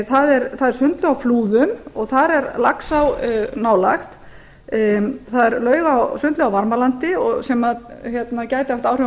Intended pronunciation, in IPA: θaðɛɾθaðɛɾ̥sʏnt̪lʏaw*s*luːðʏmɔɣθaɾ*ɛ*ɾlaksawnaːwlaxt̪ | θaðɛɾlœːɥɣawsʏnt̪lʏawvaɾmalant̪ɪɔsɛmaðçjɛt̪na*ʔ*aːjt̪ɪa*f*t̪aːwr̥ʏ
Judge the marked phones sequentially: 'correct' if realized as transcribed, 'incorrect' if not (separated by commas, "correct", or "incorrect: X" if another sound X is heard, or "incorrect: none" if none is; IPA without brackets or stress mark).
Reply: incorrect: f, correct, incorrect: c, correct